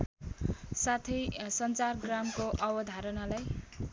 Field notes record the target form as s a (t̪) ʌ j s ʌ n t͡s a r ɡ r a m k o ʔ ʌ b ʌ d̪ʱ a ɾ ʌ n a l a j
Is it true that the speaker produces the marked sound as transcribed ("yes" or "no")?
no